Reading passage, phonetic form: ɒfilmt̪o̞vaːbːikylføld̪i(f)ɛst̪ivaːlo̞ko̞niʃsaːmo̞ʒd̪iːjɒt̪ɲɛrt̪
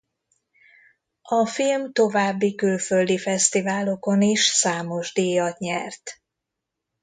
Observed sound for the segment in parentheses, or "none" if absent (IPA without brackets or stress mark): f